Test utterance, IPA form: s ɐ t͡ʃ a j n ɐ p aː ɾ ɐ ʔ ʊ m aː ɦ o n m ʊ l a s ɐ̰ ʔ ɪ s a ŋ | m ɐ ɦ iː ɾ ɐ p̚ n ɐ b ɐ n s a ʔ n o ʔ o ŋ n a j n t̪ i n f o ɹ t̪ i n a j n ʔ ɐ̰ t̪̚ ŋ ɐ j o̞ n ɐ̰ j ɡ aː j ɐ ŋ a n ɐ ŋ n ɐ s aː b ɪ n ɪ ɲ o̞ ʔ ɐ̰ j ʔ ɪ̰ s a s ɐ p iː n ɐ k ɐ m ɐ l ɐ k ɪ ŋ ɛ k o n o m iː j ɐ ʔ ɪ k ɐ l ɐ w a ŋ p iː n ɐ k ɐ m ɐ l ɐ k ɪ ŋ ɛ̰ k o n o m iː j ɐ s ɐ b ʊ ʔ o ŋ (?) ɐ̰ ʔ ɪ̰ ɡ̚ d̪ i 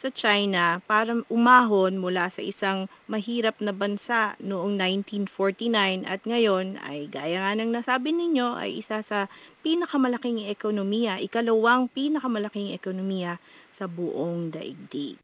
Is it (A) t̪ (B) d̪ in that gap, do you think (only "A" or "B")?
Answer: B